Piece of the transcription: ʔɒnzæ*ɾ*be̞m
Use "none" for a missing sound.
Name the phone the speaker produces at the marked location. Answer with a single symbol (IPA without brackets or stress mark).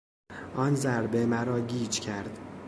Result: ɾ